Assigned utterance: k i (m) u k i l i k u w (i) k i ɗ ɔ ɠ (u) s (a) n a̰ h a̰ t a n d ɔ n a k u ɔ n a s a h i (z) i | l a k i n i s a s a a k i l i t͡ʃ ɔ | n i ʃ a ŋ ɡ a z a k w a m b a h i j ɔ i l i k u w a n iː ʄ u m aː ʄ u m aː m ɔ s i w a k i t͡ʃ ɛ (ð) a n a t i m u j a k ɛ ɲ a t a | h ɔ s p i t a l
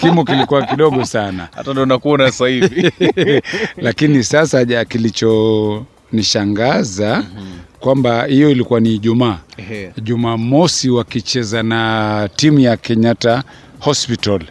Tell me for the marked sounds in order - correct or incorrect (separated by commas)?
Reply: correct, incorrect, incorrect, correct, incorrect, incorrect